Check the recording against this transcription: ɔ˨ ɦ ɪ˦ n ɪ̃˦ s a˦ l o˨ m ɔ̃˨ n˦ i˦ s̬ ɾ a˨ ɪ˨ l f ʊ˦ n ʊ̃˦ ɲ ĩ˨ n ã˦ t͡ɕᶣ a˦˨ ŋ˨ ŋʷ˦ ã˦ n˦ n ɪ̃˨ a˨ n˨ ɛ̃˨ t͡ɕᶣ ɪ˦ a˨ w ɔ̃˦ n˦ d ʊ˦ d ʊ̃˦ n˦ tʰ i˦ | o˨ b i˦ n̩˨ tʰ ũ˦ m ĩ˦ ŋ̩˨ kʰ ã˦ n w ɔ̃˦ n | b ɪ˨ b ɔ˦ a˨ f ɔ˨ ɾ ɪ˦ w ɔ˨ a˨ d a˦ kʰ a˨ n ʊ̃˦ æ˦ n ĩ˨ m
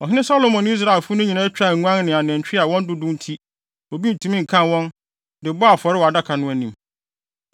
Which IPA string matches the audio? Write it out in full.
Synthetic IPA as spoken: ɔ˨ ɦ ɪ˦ n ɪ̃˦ s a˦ l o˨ m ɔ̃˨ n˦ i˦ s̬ ɾ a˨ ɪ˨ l f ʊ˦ n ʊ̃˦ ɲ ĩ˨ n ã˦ t͡ɕᶣ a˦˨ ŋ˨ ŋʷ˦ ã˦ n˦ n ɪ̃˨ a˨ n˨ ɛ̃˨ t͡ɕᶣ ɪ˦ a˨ w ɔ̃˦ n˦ d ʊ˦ d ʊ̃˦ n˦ tʰ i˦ | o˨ b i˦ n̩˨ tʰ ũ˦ m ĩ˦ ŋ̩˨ kʰ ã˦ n w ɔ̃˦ n | d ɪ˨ b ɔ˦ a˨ f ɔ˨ ɾ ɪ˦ w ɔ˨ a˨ d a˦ kʰ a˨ n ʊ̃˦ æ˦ n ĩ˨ m

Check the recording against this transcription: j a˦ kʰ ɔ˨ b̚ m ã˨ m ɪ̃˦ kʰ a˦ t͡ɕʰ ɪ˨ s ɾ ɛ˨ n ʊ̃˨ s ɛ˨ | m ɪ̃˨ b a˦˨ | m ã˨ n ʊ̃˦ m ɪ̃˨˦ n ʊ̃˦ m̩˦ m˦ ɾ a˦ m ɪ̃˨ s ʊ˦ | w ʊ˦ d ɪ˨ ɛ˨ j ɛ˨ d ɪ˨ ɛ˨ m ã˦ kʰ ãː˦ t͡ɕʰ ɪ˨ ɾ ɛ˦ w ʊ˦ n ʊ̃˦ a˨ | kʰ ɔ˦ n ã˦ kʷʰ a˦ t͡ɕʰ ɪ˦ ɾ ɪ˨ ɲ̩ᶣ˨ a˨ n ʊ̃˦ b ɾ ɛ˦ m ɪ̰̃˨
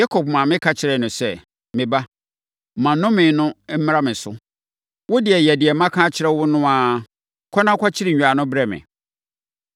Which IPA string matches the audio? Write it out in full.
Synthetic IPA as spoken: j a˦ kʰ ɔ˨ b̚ m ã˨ m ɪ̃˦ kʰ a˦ t͡ɕʰ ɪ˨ ɾ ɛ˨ n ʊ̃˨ s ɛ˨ | m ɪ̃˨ b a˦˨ | m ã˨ n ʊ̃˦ m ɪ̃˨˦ n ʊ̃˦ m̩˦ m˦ ɾ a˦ m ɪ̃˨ s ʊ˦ | w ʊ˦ d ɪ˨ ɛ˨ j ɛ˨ d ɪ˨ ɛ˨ m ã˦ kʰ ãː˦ t͡ɕʰ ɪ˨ ɾ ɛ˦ w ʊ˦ n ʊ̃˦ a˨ | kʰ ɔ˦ n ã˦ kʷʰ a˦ t͡ɕʰ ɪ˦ ɾ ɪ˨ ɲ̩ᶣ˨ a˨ n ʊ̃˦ b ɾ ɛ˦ m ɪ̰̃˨

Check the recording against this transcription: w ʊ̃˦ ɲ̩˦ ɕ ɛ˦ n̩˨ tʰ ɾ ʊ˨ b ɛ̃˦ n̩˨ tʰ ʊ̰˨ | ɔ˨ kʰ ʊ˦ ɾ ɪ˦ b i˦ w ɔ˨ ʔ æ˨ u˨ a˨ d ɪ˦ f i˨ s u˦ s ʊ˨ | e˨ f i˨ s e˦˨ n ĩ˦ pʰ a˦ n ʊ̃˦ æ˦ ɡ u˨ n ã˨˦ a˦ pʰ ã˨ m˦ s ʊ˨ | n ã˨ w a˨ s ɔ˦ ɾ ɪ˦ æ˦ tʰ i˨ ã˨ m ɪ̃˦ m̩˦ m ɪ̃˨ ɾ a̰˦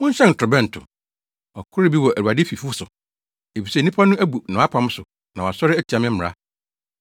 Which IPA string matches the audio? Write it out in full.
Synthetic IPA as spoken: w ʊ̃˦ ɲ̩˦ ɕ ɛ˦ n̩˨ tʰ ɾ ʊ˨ b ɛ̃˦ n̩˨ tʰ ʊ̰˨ | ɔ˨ kʰ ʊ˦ ɾ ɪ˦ b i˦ w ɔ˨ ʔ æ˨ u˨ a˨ d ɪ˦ f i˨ f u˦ s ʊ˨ | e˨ f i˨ s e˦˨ n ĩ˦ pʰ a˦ n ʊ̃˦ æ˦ b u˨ n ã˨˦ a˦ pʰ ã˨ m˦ s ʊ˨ | n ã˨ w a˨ s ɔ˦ ɾ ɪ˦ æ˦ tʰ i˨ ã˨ m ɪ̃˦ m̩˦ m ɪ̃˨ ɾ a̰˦

